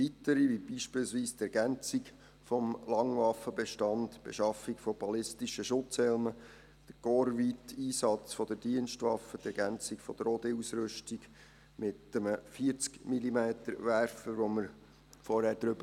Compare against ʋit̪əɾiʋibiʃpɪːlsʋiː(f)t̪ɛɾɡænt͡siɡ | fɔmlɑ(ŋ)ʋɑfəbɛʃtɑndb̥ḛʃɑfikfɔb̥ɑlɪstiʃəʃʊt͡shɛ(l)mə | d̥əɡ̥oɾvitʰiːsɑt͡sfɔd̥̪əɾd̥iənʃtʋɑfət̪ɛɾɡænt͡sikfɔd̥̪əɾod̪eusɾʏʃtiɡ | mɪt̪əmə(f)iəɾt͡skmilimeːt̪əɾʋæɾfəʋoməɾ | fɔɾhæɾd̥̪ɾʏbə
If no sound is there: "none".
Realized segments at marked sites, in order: s, ŋ, l, f

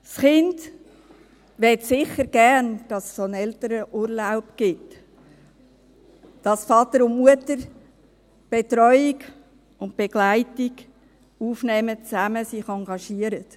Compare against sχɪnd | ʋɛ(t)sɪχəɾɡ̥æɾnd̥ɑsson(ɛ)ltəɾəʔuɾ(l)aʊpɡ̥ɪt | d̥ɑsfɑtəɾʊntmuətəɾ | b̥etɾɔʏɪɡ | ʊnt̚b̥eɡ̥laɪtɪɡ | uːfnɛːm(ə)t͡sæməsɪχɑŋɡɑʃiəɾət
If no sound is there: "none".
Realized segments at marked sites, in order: t, ɛ, l, ə

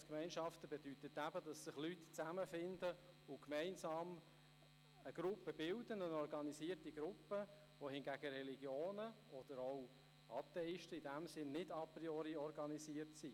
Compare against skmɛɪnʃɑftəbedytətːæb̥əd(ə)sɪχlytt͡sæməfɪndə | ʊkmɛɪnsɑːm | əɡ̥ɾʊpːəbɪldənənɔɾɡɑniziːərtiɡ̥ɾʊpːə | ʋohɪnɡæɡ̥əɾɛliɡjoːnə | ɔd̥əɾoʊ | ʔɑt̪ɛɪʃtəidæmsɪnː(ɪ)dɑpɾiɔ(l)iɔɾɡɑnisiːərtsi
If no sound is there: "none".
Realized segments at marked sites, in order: ɑ, ɪ, ɾ

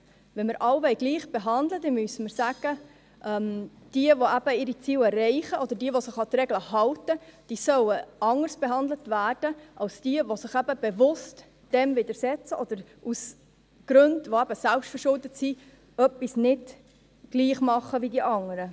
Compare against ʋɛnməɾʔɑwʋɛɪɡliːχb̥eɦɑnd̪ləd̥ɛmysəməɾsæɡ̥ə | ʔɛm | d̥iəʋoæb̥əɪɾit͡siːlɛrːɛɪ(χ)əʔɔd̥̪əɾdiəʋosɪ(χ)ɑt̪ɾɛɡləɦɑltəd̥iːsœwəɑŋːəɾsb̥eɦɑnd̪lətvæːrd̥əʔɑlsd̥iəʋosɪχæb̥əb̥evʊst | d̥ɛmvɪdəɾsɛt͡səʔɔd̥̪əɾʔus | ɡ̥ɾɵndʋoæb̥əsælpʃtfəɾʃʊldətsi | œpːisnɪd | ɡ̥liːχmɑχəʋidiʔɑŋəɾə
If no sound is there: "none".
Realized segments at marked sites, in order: χ, χ

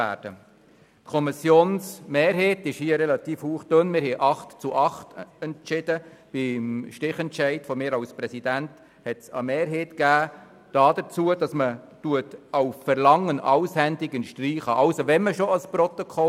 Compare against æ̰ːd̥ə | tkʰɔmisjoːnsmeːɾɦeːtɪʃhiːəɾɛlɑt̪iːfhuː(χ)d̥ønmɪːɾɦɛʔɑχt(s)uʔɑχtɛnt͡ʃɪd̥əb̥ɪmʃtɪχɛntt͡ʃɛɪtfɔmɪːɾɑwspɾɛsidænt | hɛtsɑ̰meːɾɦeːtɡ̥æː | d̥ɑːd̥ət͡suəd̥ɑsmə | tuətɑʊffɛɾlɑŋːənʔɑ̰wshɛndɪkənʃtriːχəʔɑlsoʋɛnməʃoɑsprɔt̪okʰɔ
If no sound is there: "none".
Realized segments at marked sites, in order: χ, t͡s

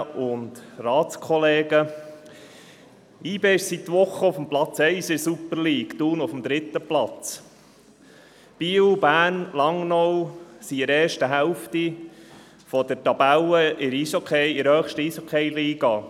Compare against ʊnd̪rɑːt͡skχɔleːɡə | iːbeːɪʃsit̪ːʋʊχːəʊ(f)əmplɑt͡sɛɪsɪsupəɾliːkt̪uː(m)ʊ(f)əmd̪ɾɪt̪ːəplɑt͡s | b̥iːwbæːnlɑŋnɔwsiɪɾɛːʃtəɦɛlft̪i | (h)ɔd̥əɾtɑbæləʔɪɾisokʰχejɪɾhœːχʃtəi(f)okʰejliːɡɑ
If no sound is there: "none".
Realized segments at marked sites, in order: f, n, f, f, s

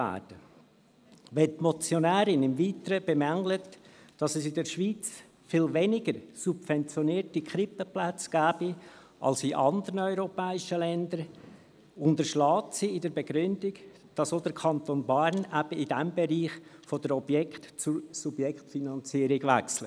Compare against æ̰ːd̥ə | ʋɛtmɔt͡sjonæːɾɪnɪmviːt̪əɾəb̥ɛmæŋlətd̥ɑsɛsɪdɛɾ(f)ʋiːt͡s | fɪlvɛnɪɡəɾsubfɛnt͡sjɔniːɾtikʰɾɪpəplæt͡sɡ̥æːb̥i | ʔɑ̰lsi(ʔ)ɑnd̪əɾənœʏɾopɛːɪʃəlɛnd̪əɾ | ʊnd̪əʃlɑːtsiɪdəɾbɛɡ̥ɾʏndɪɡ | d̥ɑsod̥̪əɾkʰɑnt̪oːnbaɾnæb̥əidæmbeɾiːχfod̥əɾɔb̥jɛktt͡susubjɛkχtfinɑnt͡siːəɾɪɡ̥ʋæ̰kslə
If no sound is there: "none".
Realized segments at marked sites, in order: ʃ, ʔ

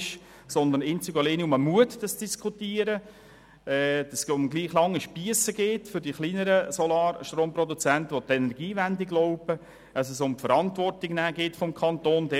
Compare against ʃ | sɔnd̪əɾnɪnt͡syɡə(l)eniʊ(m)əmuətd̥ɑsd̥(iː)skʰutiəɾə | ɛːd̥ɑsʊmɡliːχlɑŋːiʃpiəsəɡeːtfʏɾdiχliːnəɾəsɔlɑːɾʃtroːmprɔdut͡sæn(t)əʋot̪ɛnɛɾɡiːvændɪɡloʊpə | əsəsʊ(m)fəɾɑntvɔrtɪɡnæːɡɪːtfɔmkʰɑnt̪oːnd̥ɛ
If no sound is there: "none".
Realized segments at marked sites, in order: l, m, i, t, m

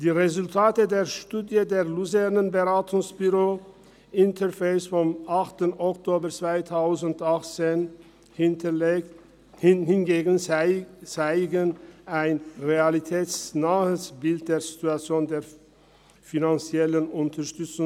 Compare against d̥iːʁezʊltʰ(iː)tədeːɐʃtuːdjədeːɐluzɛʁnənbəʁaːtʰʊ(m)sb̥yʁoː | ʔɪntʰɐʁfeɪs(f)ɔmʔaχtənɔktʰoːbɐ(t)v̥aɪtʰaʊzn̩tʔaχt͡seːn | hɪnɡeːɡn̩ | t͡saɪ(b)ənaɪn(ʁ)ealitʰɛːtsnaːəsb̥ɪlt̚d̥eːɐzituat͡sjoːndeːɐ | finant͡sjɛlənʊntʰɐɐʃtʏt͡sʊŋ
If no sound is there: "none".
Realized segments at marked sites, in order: aː, ŋ, f, t͡s, ɡ, ʁ

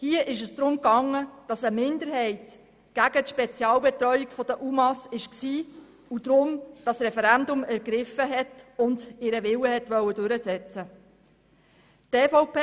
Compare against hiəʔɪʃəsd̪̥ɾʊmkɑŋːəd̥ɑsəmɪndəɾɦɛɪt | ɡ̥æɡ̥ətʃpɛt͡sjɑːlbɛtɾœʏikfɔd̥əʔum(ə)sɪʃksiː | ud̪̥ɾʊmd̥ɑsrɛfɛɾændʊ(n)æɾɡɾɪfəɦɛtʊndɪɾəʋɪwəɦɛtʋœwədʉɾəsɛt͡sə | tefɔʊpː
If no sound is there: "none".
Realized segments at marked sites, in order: ɑ, m

